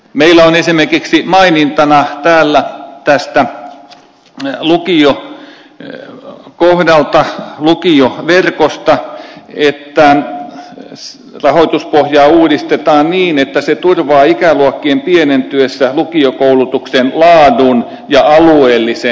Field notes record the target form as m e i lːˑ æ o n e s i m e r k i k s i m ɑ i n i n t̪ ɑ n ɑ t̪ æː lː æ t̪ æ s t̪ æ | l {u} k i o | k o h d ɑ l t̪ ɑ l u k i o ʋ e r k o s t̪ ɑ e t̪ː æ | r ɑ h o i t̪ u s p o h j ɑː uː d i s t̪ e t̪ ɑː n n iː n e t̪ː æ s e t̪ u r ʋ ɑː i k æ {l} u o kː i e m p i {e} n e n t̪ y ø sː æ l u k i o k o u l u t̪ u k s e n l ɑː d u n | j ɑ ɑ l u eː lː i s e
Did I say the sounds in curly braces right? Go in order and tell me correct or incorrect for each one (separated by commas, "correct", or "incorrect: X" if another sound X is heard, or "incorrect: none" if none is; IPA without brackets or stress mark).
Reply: correct, correct, correct